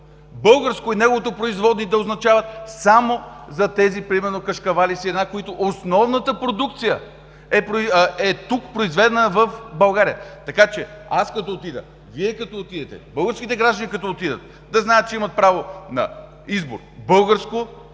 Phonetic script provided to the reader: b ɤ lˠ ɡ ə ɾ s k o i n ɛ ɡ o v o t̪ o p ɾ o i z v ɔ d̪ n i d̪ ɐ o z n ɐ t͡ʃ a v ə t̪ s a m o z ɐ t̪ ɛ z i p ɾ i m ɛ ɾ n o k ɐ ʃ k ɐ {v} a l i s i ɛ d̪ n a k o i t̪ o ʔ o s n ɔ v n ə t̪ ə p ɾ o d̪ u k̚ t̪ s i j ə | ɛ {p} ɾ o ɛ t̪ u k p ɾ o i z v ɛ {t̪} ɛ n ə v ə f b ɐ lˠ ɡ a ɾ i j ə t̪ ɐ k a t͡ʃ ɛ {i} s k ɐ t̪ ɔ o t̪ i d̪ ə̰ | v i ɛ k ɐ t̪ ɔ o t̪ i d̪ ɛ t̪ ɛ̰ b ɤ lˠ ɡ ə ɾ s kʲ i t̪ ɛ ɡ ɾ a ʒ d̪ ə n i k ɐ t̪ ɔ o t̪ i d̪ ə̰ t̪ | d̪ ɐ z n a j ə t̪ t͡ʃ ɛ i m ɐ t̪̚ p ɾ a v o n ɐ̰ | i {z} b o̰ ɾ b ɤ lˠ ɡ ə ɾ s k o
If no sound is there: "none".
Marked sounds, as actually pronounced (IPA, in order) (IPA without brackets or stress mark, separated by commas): v, p, d̪, a, z